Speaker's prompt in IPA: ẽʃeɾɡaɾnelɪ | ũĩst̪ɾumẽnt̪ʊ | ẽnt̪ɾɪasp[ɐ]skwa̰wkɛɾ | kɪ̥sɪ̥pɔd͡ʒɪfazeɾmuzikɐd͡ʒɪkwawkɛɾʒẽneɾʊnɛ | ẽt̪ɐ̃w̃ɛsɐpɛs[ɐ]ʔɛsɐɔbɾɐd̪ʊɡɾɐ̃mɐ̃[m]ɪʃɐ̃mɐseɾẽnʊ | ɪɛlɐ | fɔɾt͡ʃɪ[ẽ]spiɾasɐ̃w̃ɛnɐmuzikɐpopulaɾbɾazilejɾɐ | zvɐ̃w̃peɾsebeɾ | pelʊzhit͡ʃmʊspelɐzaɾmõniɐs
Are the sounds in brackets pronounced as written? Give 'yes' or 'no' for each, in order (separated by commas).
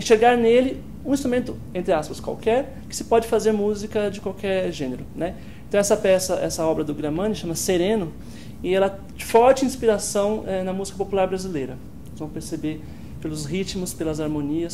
yes, yes, no, no